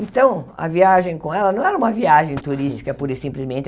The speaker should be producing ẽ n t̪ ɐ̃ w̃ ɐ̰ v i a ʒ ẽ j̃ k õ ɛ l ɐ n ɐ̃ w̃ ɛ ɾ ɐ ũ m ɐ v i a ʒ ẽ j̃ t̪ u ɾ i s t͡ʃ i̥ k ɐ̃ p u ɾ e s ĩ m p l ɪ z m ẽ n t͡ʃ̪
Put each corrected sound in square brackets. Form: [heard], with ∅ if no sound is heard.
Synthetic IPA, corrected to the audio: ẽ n t̪ ɐ̃ w̃ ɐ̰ v i a ʒ ẽ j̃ k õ ɛ l ɐ n ɐ̃ w̃ ɛ ɾ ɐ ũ m ɐ v i a ʒ ẽ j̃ t̪ u ɾ i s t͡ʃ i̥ k [ɐ] p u ɾ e s ĩ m p l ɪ z m ẽ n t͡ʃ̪